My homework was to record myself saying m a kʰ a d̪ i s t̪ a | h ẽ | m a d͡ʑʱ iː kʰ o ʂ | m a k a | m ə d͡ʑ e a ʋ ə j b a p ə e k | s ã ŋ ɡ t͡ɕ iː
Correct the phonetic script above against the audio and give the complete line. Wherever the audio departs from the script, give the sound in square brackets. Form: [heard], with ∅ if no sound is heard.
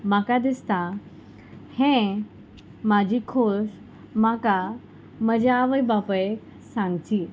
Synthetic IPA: m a [k] a d̪ i s t̪ a | h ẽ | m a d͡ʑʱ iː kʰ o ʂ | m a k a | m ə d͡ʑ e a ʋ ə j b a p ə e k | s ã ŋ ɡ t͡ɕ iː